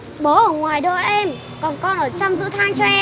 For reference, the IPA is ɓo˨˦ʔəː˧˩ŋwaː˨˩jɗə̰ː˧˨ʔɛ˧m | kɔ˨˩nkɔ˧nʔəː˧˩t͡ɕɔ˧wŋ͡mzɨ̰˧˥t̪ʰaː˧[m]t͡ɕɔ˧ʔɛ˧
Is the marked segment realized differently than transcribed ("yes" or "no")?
yes